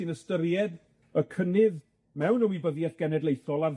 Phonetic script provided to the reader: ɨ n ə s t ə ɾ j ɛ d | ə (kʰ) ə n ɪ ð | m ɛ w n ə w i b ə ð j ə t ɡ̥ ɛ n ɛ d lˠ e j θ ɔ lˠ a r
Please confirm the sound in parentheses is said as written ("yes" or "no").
yes